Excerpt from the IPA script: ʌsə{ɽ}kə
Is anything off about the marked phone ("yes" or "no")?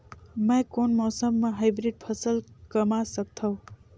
yes